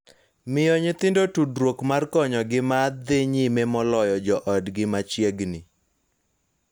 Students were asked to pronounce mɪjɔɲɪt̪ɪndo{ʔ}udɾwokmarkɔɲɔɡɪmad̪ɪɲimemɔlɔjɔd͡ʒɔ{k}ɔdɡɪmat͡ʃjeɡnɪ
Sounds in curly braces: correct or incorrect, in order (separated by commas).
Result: incorrect, incorrect